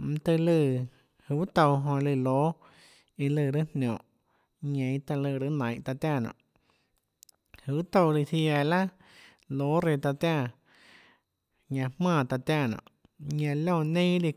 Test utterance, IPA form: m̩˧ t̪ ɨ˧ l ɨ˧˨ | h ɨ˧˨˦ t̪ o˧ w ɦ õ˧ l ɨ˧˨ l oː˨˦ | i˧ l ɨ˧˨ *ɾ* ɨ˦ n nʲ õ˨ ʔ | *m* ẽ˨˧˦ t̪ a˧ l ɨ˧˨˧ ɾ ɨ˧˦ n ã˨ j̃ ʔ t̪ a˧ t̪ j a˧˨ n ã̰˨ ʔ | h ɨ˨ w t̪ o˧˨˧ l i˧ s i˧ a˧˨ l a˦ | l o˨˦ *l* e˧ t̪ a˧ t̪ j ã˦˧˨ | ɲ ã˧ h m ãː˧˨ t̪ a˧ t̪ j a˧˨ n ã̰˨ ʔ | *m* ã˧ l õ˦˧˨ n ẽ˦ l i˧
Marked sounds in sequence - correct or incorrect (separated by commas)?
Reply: correct, incorrect, incorrect, incorrect